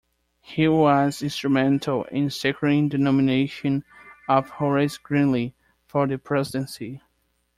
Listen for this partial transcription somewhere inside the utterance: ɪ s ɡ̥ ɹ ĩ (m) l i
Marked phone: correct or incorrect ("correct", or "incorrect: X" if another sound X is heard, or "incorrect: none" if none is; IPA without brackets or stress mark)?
incorrect: n